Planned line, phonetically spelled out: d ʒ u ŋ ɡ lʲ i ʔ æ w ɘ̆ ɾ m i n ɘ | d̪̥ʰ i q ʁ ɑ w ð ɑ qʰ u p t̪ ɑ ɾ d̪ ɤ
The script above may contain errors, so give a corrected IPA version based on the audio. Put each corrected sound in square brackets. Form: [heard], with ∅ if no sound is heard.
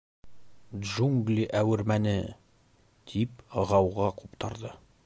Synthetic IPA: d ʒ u ŋ ɡ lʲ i ʔ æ w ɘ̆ ɾ m [æ] n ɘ | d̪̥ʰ i [p] ʁ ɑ w [ʁ] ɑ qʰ u p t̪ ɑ ɾ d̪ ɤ